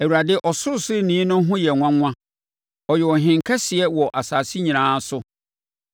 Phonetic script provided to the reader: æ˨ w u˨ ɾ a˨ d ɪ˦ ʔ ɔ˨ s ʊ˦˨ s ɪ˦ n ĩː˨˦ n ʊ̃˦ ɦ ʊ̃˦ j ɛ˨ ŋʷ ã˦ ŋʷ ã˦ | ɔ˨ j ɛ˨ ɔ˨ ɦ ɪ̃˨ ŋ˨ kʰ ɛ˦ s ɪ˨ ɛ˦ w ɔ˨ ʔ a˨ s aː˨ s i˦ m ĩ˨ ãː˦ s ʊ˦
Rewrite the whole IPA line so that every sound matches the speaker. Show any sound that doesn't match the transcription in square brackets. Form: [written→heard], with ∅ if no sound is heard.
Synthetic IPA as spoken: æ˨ w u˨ ɾ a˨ d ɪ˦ ʔ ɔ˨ s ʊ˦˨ s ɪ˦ n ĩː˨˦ n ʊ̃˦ ɦ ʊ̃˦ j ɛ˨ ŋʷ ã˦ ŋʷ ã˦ | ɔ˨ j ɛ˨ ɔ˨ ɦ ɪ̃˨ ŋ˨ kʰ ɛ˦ s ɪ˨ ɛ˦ w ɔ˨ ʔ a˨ s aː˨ s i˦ [m→ɲ] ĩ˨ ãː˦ s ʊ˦